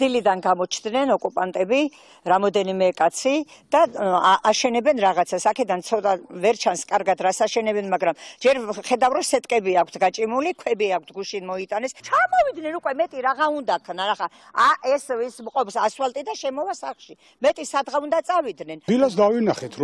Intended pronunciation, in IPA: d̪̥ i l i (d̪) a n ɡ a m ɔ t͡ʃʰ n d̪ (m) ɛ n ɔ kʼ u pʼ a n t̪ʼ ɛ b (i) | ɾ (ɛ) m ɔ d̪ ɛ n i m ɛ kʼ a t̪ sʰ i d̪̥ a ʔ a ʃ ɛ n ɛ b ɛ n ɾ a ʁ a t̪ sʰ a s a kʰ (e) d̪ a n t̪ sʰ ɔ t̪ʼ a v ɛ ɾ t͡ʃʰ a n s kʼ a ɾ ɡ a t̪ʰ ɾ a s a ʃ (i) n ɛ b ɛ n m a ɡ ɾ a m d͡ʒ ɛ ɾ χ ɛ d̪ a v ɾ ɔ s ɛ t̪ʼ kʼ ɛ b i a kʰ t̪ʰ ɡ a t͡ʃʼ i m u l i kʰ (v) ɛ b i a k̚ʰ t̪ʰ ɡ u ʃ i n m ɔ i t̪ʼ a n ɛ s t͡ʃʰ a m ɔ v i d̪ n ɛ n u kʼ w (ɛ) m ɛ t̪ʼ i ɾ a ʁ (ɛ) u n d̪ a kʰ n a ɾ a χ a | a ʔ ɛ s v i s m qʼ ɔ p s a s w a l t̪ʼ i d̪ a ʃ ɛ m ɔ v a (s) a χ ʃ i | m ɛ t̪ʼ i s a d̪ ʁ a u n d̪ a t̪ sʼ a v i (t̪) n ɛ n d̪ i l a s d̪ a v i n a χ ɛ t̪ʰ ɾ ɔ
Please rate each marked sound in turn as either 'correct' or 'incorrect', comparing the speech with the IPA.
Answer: correct, incorrect, correct, incorrect, incorrect, incorrect, incorrect, correct, incorrect, correct, incorrect

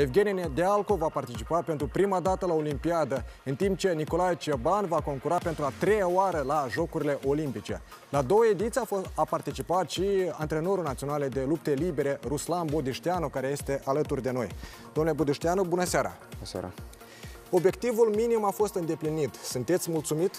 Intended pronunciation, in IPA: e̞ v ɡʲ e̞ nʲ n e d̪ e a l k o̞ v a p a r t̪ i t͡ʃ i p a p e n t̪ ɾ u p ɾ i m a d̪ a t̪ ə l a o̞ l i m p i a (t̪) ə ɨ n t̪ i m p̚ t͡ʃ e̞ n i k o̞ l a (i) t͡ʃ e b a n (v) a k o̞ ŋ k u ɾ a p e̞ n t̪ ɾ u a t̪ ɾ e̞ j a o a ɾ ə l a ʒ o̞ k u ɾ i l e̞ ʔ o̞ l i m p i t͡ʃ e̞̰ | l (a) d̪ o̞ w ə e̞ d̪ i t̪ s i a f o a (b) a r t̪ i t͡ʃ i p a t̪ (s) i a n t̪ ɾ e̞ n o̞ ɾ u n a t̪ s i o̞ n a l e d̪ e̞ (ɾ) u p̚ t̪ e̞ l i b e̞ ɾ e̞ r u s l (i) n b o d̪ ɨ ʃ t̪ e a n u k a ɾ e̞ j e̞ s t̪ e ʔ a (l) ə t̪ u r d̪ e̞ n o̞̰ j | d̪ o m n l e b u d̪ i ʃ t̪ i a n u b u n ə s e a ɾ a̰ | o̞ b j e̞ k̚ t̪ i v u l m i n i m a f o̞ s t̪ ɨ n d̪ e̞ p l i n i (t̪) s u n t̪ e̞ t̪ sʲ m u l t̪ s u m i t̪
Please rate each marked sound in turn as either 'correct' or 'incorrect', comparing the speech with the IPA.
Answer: incorrect, incorrect, correct, correct, incorrect, incorrect, incorrect, incorrect, correct, correct

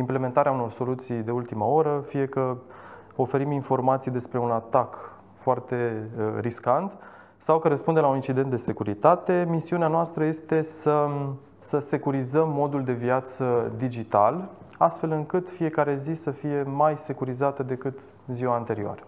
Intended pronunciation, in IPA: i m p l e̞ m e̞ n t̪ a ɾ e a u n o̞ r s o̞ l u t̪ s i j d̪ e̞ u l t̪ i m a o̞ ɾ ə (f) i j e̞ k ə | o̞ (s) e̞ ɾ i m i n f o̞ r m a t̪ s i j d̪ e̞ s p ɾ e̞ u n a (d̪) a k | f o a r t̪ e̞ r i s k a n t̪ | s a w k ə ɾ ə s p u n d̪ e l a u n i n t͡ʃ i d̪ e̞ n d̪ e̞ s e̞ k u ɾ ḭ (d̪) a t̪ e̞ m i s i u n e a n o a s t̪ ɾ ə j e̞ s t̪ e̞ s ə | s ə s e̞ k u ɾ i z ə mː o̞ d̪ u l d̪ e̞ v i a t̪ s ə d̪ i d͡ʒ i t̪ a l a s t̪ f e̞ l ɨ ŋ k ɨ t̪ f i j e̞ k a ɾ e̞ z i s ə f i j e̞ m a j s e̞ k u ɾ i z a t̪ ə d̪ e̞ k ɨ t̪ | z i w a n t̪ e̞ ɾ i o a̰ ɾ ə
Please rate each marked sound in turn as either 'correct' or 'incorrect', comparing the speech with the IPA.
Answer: correct, incorrect, incorrect, incorrect

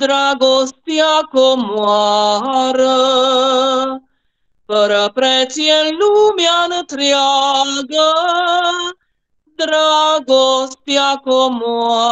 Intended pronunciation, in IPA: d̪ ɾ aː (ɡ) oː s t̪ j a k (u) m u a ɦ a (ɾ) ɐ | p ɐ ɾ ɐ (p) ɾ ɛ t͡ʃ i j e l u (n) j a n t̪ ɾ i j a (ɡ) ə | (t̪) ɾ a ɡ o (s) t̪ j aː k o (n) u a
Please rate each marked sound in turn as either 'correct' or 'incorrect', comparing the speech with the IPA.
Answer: correct, incorrect, correct, correct, incorrect, correct, incorrect, correct, incorrect

